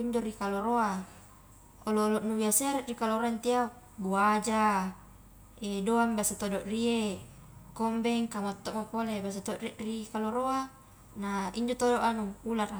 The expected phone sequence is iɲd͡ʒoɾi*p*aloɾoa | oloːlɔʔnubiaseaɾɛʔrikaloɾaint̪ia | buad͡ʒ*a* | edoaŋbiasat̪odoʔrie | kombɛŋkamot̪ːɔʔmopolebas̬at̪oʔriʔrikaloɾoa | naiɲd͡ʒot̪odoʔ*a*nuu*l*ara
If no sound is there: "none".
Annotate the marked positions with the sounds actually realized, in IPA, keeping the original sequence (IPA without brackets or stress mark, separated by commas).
k, a, a, l